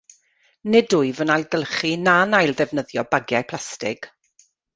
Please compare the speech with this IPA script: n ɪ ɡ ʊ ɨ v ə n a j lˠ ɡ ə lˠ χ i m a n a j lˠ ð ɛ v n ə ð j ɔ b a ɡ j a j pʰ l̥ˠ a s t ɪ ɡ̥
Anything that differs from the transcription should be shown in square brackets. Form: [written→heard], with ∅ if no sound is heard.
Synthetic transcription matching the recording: n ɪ [ɡ→d] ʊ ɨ v ə n a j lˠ ɡ ə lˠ χ i [m→n] a n a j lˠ ð ɛ v n ə ð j ɔ b a ɡ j a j pʰ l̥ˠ a s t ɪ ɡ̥